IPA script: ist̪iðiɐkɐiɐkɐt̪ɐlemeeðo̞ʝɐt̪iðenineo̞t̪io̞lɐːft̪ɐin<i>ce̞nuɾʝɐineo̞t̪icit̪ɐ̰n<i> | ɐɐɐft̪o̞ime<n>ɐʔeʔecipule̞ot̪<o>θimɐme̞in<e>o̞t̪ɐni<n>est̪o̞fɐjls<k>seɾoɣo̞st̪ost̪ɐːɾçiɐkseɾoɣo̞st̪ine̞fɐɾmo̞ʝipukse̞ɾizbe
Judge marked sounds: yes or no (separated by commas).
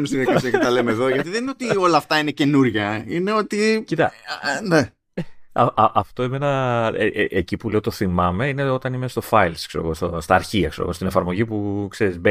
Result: no, no, yes, yes, yes, no, yes